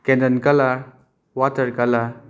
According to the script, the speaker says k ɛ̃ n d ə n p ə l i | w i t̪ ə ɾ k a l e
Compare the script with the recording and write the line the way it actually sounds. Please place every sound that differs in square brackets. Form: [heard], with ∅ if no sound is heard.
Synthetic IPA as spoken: k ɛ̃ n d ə n [k] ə l [a] | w [a] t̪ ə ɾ k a l [a]